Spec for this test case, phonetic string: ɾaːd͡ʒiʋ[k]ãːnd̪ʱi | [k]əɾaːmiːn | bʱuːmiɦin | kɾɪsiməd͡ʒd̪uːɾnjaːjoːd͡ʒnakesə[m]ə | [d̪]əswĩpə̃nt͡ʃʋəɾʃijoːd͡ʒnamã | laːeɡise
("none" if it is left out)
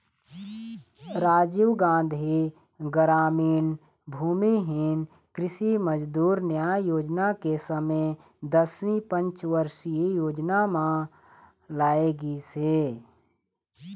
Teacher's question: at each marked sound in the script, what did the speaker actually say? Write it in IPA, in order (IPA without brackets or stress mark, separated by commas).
ɡ, ɡ, m, d̪